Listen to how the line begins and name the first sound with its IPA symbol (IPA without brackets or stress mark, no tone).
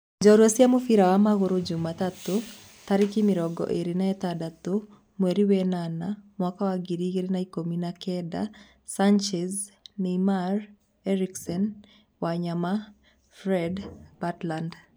d͡ʒ